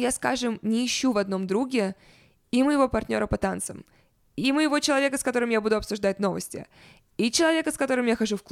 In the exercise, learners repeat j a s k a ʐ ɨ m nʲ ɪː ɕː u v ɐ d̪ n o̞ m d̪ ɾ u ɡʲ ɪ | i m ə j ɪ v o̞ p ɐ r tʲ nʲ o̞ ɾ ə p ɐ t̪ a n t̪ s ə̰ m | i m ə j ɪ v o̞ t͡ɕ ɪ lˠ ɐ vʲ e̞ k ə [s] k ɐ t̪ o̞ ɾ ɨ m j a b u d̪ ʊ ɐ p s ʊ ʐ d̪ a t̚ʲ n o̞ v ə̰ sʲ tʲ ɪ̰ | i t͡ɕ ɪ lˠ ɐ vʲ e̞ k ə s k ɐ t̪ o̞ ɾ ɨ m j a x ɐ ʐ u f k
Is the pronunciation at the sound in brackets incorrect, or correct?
correct